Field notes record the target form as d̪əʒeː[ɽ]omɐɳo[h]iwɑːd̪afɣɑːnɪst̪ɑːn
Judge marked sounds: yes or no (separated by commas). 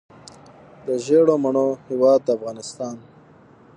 yes, yes